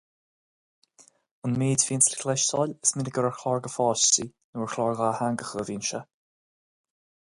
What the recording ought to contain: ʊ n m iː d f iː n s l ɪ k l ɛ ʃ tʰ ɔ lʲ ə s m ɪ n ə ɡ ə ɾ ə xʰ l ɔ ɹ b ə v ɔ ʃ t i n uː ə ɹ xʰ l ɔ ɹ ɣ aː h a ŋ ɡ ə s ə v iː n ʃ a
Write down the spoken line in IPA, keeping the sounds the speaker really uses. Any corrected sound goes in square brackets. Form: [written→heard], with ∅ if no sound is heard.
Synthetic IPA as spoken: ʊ n m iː d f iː n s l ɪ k l ɛ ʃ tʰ ɔ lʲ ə s m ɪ n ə ɡ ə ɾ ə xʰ l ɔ ɹ [b→ɡ] ə [v→f] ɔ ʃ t i n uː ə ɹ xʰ l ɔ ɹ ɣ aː h a ŋ ɡ ə [s→x] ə v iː n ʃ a

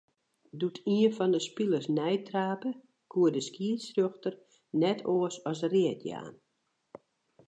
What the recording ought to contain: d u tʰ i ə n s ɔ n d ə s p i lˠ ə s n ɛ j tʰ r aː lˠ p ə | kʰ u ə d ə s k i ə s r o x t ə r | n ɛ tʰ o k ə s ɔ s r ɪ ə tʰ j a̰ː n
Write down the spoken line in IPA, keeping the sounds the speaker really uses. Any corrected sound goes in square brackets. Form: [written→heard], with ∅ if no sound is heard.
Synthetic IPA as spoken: d u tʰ i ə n [s→f] ɔ n d ə s p i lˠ ə s n ɛ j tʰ r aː [lˠ→∅] p ə | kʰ u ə d ə s k i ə s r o x t ə r | n ɛ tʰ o [k→∅] ə s ɔ s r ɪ ə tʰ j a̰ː n

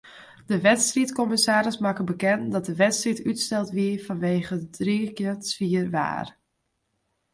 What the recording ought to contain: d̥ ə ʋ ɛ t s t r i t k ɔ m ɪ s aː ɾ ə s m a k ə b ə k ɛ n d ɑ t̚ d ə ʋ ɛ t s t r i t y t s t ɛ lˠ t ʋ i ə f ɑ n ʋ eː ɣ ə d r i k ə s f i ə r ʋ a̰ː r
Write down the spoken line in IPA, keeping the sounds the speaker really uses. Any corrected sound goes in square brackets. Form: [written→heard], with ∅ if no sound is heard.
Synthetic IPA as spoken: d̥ ə ʋ ɛ t s t r i t k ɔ m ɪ s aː ɾ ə s m a k ə b ə k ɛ n d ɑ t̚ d ə ʋ ɛ t s t r i t y t s t ɛ lˠ t ʋ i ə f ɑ n ʋ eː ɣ ə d r i k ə s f i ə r ʋ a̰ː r

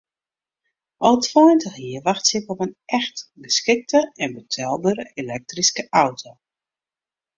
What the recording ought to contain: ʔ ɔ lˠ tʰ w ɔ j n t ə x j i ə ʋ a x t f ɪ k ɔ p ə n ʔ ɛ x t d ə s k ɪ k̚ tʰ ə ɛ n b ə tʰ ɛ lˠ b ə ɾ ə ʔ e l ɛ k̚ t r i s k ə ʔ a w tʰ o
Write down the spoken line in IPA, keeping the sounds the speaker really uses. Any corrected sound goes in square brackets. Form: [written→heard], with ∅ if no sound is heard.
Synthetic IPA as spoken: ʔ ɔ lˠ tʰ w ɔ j n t ə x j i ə ʋ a x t [f→s] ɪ k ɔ p ə n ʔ ɛ x t [d→ɡ] ə s k ɪ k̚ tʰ ə ɛ n b ə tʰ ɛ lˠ b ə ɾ ə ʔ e l ɛ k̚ t r i s k ə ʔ a w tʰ o

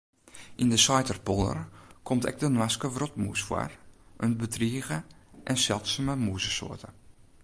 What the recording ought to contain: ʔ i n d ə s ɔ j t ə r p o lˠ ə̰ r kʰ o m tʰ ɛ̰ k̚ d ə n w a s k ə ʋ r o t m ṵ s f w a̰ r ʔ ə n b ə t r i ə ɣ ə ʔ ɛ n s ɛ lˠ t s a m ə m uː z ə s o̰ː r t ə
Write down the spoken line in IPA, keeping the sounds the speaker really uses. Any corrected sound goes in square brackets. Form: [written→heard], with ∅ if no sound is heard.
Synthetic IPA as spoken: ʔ i n d ə s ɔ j t ə r p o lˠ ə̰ r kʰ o m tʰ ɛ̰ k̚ d ə n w a s k ə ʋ r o t m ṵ s f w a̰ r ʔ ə n b ə t r i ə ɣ ə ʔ ɛ n s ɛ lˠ t s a m ə m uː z ə s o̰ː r t ə

